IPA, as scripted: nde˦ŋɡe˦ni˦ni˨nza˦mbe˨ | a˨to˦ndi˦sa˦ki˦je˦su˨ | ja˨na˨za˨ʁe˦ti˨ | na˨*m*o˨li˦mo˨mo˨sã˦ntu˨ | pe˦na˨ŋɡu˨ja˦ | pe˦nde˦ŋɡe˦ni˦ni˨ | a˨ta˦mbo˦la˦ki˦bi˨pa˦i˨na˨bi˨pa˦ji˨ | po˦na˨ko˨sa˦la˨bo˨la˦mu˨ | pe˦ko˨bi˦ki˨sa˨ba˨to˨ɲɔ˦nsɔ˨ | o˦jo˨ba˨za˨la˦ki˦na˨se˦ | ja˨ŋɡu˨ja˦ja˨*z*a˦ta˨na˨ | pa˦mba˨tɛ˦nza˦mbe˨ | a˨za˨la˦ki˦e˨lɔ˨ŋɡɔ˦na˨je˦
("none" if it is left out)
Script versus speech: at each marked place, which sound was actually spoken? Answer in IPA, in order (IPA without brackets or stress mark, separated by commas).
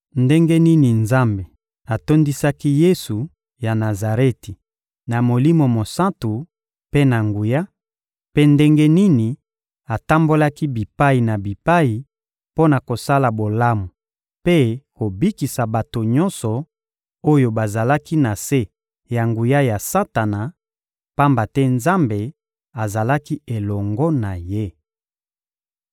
m, s